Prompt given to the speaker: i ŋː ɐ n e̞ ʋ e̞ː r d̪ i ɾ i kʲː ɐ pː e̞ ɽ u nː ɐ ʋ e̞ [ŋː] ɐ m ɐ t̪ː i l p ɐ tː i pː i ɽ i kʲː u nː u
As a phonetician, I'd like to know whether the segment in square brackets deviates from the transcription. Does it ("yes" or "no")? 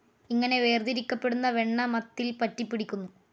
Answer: yes